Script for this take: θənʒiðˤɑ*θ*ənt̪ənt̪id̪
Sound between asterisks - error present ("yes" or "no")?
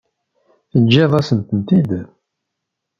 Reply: yes